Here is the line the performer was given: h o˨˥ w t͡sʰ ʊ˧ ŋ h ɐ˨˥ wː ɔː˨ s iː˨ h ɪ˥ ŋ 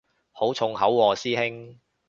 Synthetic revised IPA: h o˨˥ w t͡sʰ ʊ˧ ŋ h ɐ˨˥ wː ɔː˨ s iː˥ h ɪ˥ ŋ